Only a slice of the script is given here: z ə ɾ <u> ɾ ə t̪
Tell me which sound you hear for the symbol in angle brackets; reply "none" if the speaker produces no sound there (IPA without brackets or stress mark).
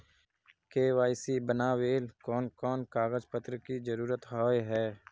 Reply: uː